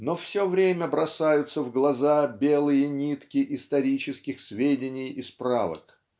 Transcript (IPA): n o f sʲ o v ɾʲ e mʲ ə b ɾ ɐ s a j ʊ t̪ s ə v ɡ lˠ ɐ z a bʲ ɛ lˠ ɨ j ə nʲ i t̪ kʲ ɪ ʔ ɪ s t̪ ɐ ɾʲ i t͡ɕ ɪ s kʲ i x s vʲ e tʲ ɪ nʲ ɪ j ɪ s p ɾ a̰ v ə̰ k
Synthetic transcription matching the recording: n o f sʲ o v ɾʲ e mʲ ə b ɾ ɐ s a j ʊ t̪ s ə v ɡ lˠ ɐ z a bʲ e lˠ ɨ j ə nʲ i t̪ kʲ ɪ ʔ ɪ s t̪ ɐ ɾʲ i t͡ɕ ɪ s kʲ ɪ x s vʲ e dʲ ɪ nʲ ɪ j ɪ s p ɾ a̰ v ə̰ k

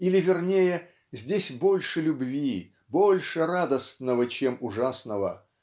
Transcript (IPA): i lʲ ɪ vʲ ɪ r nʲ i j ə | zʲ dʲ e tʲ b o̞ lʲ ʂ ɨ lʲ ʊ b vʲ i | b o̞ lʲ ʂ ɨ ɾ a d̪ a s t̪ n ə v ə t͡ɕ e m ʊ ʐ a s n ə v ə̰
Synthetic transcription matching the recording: i lʲ ɪ vʲ ɪ r nʲ e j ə | zʲ dʲ e sʲ b o̞ lʲ ʂ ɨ lʲ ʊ b vʲ i | b o̞ lʲ ʂ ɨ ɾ a d̪ ə s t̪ n ə v ə t͡ɕ e m ʊ ʐ a s n ə v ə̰

